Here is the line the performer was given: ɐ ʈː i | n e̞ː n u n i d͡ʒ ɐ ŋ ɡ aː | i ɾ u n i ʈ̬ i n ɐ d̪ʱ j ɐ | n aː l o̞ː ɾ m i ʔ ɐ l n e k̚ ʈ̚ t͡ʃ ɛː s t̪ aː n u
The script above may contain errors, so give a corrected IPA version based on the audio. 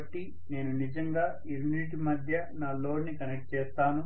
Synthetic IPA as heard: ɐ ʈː i | n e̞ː n u n i d͡ʒ ɐ ŋ ɡ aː | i ɾ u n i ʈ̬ i m ɐ d̪ʱ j ɐ | n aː l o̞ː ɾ n i k ɐ n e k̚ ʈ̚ t͡ʃ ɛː s t̪ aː n u